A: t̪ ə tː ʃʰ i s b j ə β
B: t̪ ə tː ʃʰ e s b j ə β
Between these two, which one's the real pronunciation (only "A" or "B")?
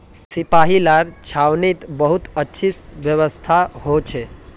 A